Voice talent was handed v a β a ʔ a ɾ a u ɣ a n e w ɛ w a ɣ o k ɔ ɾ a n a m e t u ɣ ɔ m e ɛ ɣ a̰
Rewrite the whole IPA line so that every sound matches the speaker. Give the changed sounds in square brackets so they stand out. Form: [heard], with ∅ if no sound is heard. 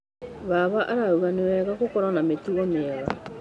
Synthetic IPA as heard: [β] a β a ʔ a ɾ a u ɣ a n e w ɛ [ɣ] a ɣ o k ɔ ɾ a n a m e t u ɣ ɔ m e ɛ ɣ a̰